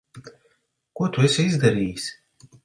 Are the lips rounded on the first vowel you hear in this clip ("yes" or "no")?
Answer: yes